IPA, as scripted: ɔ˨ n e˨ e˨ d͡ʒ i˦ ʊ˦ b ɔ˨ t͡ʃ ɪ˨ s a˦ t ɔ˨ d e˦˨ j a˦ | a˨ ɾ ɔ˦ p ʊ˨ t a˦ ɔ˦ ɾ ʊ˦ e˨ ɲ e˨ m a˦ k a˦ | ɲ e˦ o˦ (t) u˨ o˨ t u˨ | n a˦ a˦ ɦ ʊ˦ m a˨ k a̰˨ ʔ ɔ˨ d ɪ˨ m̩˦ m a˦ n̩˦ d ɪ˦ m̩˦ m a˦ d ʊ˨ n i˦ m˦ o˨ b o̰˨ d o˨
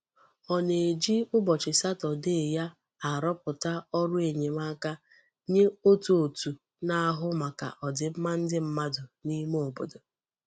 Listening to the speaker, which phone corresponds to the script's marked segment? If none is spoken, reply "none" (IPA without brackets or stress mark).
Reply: t